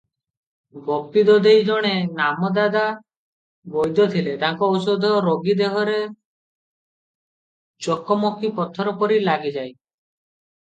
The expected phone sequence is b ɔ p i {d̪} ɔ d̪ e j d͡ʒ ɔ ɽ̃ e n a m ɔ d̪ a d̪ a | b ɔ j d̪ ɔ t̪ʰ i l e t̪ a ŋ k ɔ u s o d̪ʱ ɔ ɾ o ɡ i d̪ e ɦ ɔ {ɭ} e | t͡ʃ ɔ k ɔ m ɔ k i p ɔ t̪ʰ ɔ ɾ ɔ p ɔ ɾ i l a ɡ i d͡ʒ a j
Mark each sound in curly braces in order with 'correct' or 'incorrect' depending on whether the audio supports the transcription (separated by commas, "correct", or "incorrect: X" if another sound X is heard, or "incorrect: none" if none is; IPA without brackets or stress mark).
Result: correct, incorrect: ɾ